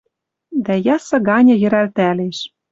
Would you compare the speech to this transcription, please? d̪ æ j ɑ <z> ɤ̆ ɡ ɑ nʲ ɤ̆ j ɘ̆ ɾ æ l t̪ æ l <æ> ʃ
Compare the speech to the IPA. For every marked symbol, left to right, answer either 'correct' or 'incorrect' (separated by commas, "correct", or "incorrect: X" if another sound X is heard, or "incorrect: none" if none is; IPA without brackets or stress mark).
incorrect: s, incorrect: e